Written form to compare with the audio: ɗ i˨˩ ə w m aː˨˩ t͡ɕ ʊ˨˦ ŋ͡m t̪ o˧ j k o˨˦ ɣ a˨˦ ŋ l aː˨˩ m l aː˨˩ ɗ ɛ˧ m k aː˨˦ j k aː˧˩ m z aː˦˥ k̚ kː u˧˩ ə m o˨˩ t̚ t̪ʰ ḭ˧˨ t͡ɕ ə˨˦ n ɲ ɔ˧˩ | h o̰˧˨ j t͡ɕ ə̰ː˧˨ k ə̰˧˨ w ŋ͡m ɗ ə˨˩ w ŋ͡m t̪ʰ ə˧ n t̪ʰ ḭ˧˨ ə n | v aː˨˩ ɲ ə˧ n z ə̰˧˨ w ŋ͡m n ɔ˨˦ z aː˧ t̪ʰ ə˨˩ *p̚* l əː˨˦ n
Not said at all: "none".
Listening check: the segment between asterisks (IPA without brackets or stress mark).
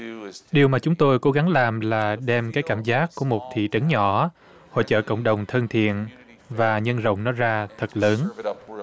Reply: t̚